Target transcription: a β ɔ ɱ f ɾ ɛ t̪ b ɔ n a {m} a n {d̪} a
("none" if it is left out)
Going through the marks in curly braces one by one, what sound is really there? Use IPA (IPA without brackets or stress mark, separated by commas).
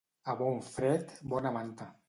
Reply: m, t̪